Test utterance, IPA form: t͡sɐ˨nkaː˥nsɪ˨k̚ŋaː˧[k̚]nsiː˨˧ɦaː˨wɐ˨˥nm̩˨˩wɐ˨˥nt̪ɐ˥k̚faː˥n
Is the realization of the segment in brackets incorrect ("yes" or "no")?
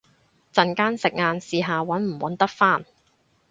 yes